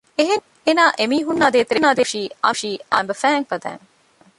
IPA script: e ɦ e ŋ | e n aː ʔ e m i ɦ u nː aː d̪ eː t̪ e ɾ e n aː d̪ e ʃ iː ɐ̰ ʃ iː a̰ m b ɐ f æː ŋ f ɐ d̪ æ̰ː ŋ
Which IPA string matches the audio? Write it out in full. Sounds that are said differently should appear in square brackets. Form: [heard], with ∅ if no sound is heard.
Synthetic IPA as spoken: e ɦ e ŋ | e n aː ʔ e m [iː] ɦ u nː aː d̪ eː t̪ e ɾ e n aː d̪ e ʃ iː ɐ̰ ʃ iː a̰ m b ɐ f æː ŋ f ɐ d̪ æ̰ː ŋ